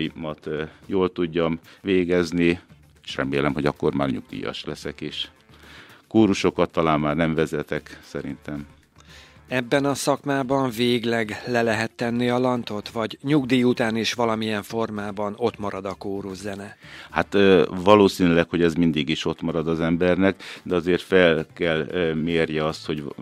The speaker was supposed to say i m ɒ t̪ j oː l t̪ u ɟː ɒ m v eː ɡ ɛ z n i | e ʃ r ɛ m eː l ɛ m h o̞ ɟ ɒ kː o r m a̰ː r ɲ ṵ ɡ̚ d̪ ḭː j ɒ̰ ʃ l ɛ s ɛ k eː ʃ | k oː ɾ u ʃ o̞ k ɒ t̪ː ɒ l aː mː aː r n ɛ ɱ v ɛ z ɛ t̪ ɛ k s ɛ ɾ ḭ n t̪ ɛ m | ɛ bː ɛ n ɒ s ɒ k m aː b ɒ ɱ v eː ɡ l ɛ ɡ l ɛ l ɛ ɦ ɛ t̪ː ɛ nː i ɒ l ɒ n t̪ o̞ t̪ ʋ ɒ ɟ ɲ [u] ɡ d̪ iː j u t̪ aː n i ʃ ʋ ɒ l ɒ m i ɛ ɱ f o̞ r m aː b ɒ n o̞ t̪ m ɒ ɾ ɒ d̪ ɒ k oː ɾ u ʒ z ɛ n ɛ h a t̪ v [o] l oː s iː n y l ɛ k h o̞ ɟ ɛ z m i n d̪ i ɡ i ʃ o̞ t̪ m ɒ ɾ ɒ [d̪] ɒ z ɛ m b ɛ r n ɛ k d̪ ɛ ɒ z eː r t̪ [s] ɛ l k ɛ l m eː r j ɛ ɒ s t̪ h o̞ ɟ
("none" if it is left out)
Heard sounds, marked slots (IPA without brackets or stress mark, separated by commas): u, ɒ, d̪, f